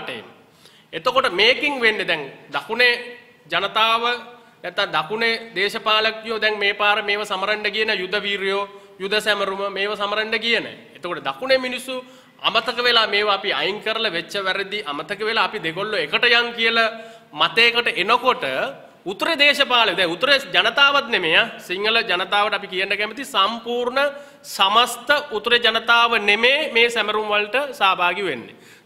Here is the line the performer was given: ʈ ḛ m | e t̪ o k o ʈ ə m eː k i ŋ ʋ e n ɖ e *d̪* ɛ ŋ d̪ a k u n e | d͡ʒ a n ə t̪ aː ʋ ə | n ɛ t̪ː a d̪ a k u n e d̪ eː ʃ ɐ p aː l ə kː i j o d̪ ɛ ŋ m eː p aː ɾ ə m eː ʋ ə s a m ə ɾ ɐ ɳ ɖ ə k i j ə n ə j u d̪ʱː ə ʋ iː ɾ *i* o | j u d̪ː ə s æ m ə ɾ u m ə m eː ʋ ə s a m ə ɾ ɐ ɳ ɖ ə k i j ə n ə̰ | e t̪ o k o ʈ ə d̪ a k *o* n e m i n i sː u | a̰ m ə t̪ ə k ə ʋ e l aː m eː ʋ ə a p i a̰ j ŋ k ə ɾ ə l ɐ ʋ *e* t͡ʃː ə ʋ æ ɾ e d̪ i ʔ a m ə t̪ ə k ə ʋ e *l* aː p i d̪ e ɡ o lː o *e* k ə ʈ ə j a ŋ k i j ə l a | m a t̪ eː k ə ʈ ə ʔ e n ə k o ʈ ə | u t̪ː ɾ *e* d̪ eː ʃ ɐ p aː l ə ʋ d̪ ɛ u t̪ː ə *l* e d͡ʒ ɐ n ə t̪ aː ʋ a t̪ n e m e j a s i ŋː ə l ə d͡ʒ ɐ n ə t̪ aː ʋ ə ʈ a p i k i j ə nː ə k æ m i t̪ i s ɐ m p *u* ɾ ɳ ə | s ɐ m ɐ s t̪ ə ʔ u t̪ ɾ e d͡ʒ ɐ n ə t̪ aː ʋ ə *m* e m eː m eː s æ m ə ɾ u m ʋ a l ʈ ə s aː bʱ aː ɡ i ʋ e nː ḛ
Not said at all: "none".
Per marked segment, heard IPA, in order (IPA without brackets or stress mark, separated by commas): d̪, j, u, e, l, e, e, ɾ, uː, n